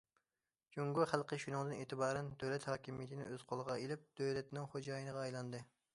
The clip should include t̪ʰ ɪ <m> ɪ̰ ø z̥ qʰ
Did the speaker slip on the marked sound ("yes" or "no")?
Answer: yes